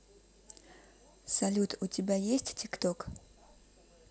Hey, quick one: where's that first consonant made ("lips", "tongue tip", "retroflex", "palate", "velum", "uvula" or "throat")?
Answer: tongue tip